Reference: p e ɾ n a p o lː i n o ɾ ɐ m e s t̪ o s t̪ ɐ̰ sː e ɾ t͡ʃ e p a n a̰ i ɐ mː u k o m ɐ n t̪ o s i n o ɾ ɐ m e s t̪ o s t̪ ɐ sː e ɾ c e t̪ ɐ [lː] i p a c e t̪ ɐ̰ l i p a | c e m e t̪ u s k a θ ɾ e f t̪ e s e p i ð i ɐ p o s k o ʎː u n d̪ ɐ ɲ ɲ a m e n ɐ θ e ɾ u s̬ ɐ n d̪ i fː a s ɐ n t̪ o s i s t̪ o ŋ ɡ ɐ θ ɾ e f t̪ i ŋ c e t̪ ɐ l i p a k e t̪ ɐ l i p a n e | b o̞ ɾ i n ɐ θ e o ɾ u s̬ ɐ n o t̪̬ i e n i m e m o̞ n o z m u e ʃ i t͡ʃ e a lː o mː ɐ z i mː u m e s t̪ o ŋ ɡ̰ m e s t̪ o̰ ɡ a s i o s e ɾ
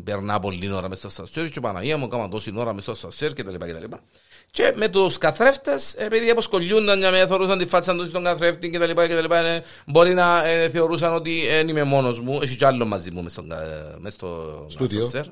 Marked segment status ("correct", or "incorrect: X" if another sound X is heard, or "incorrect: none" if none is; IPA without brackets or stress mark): incorrect: l